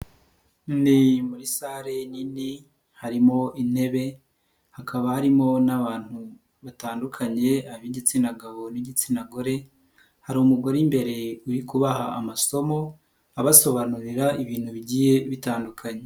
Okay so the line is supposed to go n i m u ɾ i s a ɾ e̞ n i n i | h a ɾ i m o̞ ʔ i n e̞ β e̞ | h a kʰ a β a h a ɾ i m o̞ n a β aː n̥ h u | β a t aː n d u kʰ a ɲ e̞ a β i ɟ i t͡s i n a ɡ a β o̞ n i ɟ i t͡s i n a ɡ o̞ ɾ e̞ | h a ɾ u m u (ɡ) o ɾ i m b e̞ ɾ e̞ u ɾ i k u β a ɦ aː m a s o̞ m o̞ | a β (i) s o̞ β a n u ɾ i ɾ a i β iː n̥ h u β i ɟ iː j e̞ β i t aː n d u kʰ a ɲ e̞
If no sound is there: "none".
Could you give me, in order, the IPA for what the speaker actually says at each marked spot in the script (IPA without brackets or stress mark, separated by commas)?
ɡ, a